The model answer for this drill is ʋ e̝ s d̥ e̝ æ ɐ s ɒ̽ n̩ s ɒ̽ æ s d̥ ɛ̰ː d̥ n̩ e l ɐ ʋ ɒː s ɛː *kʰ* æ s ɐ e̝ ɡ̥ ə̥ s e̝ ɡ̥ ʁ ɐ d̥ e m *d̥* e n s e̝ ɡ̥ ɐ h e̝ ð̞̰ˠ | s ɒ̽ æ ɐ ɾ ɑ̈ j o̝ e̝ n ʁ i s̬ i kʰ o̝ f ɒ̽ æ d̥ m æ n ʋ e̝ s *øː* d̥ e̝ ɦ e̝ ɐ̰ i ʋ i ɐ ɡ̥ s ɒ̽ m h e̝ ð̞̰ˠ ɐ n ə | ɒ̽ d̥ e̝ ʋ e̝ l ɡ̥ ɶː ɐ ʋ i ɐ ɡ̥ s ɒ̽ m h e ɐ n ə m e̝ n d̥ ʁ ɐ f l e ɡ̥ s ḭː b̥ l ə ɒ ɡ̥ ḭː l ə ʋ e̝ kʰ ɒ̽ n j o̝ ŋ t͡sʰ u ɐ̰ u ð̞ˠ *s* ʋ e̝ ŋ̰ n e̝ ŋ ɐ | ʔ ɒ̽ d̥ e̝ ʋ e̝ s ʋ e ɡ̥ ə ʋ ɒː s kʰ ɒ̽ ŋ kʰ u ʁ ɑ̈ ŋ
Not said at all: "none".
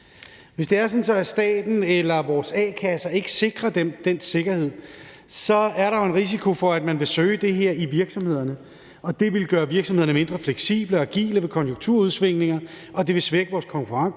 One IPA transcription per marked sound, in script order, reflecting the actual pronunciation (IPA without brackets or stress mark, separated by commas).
kʰ, d̥, øː, s